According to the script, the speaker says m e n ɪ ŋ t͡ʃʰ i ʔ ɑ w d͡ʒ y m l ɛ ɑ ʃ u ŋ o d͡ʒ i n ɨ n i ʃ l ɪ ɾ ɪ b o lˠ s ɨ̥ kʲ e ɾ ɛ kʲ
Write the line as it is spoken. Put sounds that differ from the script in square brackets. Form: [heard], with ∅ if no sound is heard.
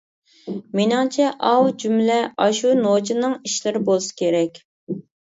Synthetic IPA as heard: m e n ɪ ŋ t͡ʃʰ [ɛ] ʔ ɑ w d͡ʒ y m l ɛ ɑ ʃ u [n] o d͡ʒ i n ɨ [ŋ] i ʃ l ɪ ɾ ɪ b o lˠ s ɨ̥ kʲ e ɾ ɛ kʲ

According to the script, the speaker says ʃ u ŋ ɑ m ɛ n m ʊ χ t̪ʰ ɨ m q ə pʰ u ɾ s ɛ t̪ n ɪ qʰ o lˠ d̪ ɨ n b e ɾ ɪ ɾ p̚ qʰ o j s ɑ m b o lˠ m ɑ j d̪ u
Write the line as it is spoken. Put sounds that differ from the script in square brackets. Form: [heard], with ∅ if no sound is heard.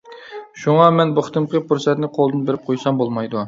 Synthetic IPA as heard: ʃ u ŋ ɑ m ɛ n [b] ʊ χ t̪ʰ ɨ m q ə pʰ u ɾ s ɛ t̪ n ɪ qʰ o lˠ d̪ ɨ n b e ɾ ɪ [∅] p̚ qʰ o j s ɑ m b o lˠ m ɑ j d̪ u

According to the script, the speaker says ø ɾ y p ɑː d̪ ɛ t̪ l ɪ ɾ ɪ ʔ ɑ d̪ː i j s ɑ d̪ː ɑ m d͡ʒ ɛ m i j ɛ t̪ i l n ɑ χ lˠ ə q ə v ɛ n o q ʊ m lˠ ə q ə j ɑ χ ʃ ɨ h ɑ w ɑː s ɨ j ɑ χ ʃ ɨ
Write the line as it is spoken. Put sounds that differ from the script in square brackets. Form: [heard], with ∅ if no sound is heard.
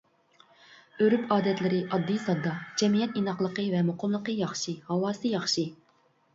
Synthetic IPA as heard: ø ɾ y p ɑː d̪ ɛ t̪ l ɪ ɾ ɪ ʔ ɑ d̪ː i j s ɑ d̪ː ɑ [∅] d͡ʒ ɛ m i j ɛ t̪ i [∅] n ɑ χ lˠ ə q ə v ɛ [m] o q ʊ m lˠ ə q ə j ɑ χ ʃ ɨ h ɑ w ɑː s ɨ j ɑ χ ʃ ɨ

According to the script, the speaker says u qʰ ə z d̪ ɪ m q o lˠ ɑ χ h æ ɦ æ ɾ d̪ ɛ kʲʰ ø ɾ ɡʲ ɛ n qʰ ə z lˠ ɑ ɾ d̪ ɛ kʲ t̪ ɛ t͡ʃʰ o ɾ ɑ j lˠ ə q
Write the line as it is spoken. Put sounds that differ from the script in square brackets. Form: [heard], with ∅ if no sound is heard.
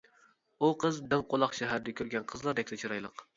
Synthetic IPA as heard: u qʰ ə z d̪ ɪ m q o lˠ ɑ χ [ʃ] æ ɦ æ ɾ d̪ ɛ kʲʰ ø ɾ ɡʲ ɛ n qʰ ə z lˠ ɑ ɾ d̪ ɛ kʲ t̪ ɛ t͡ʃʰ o ɾ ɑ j lˠ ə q

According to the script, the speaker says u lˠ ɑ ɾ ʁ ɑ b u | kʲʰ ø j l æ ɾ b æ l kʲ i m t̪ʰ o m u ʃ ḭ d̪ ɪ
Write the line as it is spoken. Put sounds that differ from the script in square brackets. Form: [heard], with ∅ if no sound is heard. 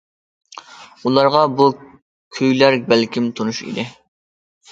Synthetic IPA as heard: u lˠ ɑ ɾ ʁ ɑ b u | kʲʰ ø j l æ ɾ b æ l kʲ i m t̪ʰ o [n] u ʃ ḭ d̪ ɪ

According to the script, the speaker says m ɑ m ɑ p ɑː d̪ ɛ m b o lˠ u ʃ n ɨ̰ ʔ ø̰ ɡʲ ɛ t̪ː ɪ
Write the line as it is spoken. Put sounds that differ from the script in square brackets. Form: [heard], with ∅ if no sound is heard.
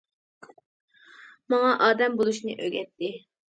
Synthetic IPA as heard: m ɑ [ŋ] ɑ [ʔ] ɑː d̪ ɛ m b o lˠ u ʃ n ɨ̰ ʔ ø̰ ɡʲ ɛ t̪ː ɪ

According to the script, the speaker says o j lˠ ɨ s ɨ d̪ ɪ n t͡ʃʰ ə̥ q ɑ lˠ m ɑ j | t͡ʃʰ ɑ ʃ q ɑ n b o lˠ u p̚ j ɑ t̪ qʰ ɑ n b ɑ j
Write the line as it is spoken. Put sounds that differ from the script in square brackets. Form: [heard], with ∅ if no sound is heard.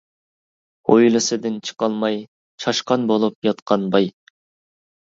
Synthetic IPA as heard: o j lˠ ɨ s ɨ d̪ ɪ n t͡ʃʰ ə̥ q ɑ lˠ m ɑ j | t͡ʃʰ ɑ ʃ q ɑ n b o lˠ u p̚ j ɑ t̪ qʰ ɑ n b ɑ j

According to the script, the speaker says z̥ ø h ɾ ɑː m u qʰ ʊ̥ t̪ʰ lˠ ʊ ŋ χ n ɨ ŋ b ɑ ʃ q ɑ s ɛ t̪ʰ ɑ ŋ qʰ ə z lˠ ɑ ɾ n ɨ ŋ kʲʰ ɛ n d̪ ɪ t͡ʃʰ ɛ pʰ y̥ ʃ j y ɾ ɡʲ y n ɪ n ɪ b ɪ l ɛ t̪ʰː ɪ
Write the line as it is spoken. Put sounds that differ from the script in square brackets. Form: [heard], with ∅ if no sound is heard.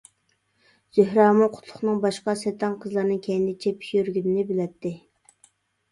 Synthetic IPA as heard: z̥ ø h ɾ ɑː m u qʰ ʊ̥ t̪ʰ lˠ ʊ [∅] χ n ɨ ŋ b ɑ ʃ q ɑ s ɛ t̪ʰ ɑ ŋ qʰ ə z lˠ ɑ ɾ n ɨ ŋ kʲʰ ɛ n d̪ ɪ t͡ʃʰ ɛ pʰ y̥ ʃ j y ɾ ɡʲ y n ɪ n ɪ b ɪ l ɛ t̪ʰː ɪ

